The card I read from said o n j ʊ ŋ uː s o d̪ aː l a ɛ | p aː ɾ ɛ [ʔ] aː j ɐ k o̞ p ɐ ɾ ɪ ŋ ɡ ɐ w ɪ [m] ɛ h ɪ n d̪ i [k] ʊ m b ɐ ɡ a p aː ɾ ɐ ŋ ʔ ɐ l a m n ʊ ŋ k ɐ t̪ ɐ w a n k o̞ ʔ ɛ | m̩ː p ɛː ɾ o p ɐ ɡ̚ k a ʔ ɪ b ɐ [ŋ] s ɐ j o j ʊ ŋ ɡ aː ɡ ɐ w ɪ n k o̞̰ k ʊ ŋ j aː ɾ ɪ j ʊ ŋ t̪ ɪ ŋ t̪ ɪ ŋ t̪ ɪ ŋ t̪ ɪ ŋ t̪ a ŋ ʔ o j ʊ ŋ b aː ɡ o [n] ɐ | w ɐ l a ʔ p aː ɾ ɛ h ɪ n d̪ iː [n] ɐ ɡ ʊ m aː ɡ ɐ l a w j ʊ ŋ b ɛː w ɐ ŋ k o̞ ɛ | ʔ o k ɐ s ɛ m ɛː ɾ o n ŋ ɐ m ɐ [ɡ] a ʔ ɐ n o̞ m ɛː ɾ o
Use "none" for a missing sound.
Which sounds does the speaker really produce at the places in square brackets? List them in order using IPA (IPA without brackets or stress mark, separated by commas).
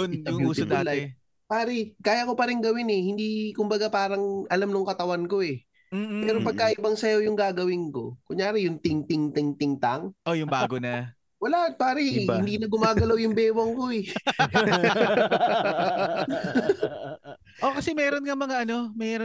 k, n, k, ŋ, n, n, ŋ